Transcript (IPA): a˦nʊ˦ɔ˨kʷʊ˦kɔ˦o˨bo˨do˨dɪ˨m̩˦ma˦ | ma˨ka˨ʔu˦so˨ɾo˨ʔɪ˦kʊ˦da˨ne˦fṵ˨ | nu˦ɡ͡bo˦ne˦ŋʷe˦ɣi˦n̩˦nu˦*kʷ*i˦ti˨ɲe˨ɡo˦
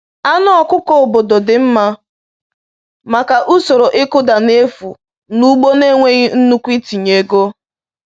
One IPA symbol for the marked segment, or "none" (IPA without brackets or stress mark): kʷ